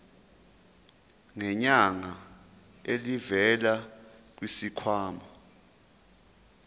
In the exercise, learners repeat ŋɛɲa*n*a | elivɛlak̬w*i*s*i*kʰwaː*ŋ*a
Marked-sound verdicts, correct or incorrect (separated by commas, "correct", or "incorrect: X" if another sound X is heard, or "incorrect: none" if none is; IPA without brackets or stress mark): incorrect: ŋ, correct, correct, incorrect: m